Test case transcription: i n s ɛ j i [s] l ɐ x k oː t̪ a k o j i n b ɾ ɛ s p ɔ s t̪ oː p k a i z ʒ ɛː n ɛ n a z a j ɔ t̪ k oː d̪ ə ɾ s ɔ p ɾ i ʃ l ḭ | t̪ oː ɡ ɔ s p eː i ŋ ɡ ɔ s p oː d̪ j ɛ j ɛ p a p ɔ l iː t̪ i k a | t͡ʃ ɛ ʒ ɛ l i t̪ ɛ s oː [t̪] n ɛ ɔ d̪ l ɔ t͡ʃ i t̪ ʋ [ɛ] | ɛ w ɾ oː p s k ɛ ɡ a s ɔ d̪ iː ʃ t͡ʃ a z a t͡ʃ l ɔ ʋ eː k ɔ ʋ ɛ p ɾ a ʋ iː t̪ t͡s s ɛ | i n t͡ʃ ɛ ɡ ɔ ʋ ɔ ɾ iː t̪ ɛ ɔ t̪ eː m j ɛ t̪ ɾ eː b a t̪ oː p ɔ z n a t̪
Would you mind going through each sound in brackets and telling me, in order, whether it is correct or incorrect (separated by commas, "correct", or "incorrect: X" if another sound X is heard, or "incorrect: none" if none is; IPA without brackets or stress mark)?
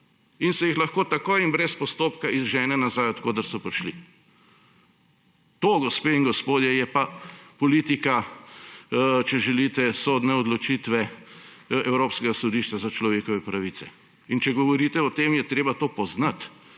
incorrect: x, incorrect: d̪, correct